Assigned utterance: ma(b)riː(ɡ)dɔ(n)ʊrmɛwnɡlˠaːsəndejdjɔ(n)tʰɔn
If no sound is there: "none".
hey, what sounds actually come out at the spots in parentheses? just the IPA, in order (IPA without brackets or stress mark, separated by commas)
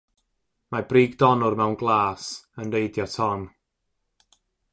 b, ɡ, n, none